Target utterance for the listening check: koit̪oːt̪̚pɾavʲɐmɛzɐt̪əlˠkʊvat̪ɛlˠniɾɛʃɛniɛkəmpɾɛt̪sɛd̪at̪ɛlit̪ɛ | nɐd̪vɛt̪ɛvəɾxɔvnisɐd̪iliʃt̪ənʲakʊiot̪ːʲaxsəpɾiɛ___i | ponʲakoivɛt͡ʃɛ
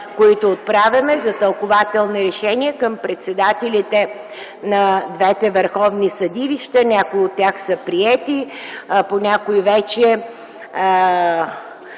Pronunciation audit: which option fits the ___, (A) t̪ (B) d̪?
A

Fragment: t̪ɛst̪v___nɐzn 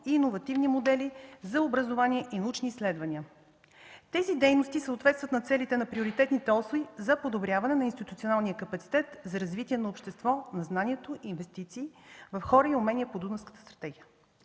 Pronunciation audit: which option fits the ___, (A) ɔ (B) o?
A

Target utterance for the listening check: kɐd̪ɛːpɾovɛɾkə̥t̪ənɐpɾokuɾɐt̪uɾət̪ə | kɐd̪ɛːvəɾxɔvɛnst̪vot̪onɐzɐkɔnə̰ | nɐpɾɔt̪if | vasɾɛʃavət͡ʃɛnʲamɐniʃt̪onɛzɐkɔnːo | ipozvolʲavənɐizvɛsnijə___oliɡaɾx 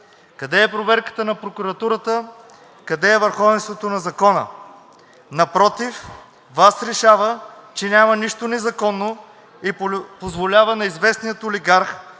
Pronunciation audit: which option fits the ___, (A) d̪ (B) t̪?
B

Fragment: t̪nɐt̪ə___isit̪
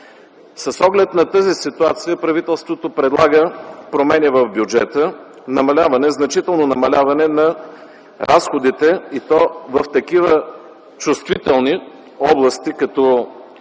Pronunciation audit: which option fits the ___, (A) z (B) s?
A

